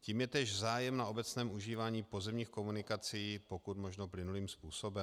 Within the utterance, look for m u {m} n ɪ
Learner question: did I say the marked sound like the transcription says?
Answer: no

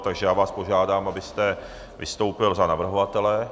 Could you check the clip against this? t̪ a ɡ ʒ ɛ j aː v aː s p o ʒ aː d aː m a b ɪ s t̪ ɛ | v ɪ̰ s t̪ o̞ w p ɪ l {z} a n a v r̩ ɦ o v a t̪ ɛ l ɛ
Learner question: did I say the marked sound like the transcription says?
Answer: yes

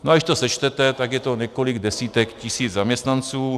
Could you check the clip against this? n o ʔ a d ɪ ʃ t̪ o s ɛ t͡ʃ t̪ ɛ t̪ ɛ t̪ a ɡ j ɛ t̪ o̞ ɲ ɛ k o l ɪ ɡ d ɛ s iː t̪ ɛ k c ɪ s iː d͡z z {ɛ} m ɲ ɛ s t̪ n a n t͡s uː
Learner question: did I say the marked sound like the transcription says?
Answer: no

